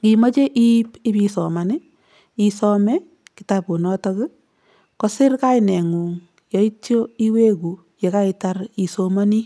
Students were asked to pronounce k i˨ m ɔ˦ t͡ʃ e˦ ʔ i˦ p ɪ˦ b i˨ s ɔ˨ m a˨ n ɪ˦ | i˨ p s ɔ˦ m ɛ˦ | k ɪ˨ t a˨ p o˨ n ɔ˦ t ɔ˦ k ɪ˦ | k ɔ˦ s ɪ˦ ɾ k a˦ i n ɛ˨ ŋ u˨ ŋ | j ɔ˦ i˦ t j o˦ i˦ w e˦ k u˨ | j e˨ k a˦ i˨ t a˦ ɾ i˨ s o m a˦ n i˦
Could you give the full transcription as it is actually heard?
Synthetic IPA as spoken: k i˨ m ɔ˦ t͡ʃ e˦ ʔ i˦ p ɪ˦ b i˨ s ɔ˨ m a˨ n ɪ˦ | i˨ s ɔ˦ m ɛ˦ | k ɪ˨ t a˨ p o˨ n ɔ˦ t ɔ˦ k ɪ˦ | k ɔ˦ s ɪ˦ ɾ k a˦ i n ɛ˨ ŋ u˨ ŋ | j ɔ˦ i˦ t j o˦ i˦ w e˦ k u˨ | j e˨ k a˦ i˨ t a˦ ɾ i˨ s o m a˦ n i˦